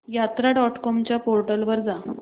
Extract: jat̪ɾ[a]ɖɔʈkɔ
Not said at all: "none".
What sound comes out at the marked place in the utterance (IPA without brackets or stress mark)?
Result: a